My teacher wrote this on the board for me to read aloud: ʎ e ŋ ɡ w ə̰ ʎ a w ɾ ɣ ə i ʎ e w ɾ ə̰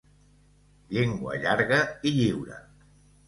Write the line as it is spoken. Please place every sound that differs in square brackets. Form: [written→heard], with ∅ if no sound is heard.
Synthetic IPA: ʎ e ŋ ɡ w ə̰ ʎ a [w→∅] ɾ ɣ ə i ʎ [e→i] w ɾ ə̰